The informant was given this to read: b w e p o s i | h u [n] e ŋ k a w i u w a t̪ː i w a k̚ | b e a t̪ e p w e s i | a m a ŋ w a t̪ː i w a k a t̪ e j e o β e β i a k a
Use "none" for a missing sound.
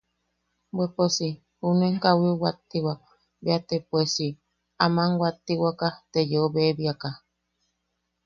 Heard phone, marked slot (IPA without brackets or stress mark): n